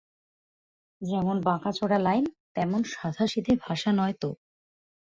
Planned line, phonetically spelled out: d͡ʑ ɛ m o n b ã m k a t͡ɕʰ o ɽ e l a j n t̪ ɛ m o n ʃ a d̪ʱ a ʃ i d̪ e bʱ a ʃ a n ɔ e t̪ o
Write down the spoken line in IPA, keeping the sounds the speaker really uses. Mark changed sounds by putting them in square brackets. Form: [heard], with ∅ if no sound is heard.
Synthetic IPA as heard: d͡ʑ ɛ m o n b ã [∅] k a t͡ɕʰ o ɽ [a] l a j n t̪ ɛ m o n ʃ a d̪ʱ a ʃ i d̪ e bʱ a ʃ a n ɔ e t̪ o